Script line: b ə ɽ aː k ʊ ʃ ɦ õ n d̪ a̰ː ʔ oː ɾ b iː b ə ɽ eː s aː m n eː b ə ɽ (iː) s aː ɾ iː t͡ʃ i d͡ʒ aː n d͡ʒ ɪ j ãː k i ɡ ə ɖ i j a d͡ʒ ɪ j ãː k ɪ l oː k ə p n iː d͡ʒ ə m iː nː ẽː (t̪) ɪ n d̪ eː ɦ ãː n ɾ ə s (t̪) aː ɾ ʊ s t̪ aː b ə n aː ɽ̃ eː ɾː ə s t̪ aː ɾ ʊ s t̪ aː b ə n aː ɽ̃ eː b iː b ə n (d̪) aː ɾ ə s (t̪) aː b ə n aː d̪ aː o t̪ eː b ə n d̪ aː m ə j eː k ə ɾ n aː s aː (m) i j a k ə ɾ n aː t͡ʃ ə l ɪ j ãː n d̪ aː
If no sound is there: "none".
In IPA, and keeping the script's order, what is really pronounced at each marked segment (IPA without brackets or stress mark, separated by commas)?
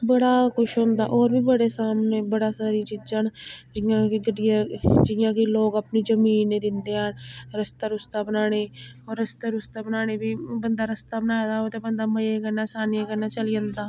aː, d̪, t̪, d̪, t̪, n